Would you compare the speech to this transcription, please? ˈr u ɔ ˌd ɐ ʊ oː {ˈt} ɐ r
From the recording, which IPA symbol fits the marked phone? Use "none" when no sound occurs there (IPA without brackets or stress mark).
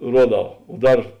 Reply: d